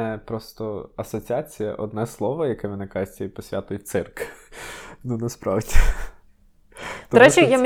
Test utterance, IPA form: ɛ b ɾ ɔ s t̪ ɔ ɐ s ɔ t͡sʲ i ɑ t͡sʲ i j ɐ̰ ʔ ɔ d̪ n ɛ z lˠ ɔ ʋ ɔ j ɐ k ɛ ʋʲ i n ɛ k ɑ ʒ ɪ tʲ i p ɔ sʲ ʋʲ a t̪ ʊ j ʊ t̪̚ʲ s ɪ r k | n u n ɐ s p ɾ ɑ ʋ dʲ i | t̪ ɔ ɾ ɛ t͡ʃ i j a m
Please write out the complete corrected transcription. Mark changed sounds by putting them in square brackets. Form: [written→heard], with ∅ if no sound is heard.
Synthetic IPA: ɛ [b→p] ɾ ɔ s t̪ ɔ ɐ s ɔ t͡sʲ i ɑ t͡sʲ i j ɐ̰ ʔ ɔ d̪ n ɛ [z→s] lˠ ɔ ʋ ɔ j ɐ k ɛ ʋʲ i n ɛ k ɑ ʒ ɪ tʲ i p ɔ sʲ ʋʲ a t̪ ʊ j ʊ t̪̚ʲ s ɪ r k | n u n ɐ s p ɾ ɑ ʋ dʲ i | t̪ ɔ ɾ ɛ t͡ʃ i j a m